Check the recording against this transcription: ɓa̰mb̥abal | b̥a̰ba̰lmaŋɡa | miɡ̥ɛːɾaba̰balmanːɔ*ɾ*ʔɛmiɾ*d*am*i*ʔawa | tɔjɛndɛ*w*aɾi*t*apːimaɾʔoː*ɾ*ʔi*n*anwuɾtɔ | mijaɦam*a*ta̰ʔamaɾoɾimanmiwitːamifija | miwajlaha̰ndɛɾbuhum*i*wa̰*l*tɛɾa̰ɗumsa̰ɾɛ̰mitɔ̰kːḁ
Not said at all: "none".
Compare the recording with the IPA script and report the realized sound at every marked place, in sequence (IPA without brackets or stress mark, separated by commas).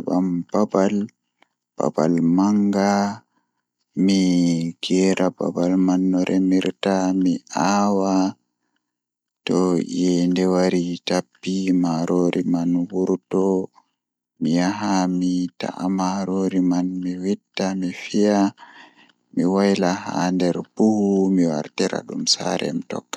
ɾ, t, i, w, t, ɾ, m, i, i, ɾ